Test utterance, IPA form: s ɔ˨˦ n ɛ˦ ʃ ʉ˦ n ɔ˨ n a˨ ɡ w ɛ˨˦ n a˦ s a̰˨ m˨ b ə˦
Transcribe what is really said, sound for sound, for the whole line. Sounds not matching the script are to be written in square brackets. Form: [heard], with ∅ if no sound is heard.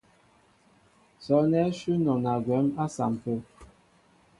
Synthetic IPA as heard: s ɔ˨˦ n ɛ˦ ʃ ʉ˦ n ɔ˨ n a˨ ɡ w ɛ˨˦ [m] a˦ s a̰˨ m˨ [p] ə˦